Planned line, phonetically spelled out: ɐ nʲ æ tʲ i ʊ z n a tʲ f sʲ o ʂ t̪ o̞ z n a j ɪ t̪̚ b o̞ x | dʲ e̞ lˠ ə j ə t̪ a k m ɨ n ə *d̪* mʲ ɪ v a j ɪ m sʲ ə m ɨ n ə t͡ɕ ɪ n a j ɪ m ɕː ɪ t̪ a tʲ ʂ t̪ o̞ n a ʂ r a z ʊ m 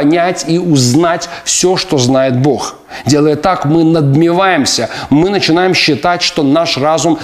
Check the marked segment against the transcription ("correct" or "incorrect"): correct